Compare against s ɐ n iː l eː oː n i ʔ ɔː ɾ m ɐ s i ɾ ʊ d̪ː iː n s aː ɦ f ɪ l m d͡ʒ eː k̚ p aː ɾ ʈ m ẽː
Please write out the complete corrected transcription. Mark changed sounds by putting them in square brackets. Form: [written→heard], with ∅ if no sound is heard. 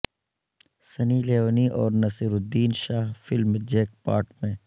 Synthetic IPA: s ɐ n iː l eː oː n i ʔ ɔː ɾ [m→n] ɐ s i ɾ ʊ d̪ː iː n [s→ʃ] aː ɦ f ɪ l m d͡ʒ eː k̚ p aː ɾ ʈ m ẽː